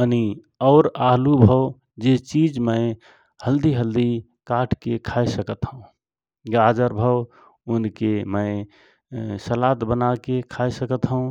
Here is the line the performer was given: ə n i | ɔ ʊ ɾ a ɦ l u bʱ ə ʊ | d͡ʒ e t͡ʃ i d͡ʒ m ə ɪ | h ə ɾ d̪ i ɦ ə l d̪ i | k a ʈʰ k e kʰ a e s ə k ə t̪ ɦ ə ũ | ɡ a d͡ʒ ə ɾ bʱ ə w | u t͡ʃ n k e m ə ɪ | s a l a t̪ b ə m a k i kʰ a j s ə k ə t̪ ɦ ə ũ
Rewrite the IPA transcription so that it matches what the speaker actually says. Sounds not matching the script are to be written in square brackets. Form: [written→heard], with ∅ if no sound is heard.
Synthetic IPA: ə n i | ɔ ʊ ɾ a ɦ l u bʱ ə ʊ | d͡ʒ e t͡ʃ i d͡ʒ m ə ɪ | h ə [ɾ→l] d̪ i ɦ ə l d̪ i | k a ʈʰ k e kʰ a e s ə k ə t̪ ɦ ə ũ | ɡ a d͡ʒ ə ɾ bʱ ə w | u [t͡ʃ→∅] n k e m ə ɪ | s [a→ə] l a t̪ b ə [m→n] a k [i→e] kʰ a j s ə k ə t̪ ɦ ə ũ